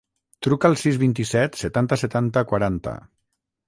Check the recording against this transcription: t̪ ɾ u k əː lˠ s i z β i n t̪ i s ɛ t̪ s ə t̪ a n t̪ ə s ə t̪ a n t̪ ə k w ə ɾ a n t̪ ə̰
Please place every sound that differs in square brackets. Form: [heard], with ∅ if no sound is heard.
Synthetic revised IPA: t̪ ɾ u k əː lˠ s i z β i n t̪ i s ɛ t̪ s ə t̪ a n t̪ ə s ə t̪ a n t̪ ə k w [a] ɾ a n t̪ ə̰